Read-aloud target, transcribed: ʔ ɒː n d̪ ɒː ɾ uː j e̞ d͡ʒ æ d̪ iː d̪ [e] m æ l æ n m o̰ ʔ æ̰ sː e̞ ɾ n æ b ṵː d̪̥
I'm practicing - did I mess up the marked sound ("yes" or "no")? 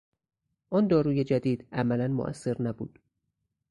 yes